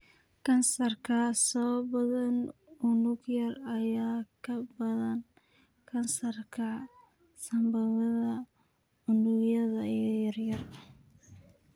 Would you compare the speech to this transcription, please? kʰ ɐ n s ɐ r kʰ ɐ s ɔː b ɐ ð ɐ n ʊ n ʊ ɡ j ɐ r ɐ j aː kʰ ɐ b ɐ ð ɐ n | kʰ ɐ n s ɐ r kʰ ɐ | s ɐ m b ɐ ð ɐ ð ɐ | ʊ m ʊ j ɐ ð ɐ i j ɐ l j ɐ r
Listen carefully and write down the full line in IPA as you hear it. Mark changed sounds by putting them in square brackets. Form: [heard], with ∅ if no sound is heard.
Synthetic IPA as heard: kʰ ɐ n s ɐ r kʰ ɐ s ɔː b ɐ ð ɐ n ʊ n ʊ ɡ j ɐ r ɐ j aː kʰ ɐ b ɐ ð ɐ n | kʰ ɐ n s ɐ r kʰ ɐ | s ɐ m b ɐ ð ɐ ð ɐ | ʊ [n] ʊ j ɐ ð ɐ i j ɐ [r] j ɐ r